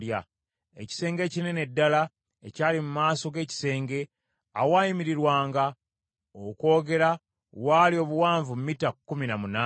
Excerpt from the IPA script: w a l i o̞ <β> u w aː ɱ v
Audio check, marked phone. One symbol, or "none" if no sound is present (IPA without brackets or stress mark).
β